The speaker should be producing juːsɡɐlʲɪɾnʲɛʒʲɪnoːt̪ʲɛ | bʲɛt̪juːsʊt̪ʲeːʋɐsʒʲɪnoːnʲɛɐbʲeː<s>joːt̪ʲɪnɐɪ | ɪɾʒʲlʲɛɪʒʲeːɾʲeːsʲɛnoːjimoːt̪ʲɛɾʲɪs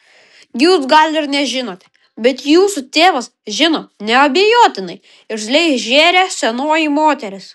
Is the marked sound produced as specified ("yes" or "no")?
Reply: no